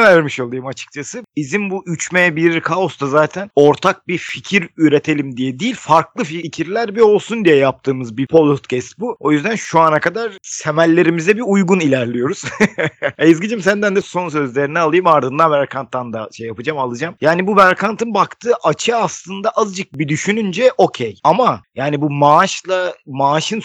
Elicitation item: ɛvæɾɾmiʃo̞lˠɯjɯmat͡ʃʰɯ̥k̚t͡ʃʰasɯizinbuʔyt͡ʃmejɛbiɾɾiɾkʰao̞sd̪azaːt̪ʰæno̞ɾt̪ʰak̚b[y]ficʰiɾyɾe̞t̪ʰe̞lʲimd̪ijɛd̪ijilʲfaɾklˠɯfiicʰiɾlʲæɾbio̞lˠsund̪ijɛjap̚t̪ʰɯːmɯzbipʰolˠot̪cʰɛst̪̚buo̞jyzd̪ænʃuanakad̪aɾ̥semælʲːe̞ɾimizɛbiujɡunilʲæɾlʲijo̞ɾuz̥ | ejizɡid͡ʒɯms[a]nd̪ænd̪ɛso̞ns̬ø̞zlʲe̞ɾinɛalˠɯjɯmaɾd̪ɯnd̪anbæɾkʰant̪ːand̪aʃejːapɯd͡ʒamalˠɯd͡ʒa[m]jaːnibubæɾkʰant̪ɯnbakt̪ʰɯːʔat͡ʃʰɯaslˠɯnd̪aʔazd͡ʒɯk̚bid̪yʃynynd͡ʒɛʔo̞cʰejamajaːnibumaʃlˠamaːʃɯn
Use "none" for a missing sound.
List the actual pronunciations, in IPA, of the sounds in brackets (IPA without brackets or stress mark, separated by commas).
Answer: i, æ, m